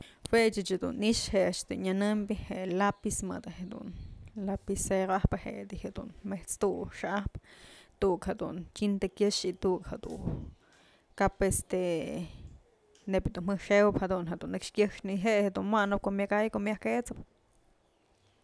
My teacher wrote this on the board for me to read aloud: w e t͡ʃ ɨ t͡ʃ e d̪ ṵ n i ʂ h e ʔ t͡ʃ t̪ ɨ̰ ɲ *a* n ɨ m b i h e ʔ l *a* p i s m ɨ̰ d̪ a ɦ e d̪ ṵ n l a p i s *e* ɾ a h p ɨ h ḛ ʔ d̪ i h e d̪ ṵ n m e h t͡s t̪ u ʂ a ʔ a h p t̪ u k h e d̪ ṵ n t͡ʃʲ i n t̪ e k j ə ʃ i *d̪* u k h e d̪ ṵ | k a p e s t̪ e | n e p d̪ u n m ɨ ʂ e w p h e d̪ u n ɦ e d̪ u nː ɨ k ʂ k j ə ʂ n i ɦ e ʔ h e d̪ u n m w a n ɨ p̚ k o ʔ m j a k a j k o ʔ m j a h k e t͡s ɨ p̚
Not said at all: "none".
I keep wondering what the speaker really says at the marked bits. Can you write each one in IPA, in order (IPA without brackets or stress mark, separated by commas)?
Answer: a, a, e, t̪